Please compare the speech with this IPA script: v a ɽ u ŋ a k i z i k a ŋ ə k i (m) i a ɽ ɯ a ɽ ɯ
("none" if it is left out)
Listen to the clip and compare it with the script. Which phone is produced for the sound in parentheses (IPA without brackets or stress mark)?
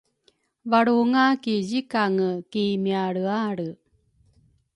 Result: m